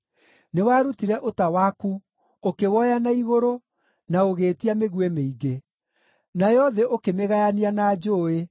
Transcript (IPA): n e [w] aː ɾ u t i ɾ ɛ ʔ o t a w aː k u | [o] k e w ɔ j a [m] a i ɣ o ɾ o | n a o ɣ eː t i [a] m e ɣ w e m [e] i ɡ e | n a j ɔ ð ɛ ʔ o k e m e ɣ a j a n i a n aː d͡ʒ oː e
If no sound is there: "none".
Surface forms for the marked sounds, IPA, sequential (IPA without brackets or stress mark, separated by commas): w, o, n, a, e